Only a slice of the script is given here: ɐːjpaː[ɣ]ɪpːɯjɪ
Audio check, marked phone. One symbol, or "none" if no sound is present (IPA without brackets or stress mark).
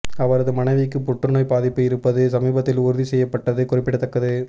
ð